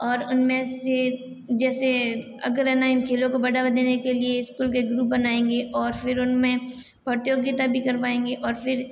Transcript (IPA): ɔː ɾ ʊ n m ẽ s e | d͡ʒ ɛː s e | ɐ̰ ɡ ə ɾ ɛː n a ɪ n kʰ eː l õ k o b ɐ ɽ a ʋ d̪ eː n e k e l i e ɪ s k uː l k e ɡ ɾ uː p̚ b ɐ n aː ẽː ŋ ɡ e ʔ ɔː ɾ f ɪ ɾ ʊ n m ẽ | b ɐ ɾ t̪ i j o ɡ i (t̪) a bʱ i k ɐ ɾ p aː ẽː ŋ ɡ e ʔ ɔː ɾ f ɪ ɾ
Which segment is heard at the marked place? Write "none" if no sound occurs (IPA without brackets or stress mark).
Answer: t̪